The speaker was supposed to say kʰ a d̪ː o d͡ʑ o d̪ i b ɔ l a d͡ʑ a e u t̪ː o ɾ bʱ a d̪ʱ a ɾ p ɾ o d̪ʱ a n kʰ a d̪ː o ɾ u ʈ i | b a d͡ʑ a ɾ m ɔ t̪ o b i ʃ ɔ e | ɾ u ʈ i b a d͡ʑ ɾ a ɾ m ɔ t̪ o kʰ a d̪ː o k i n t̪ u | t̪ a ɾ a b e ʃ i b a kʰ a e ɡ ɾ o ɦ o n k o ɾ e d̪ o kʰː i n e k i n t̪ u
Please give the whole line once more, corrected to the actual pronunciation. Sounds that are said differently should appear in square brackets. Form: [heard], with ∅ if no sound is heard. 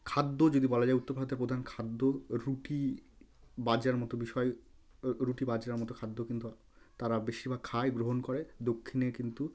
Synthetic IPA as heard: kʰ a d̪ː o d͡ʑ o d̪ i b ɔ l a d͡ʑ a e u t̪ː o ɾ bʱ a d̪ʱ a ɾ p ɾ o d̪ʱ a n kʰ a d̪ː o ɾ u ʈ i | b a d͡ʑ a ɾ m ɔ t̪ o b i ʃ ɔ e | ɾ u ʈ i b a d͡ʑ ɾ a ɾ m ɔ t̪ o kʰ a d̪ː o k i n t̪ u | t̪ a ɾ a b e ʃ i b a kʰ a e ɡ ɾ o ɦ o n k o ɾ e d̪ o kʰː i n e k i n t̪ u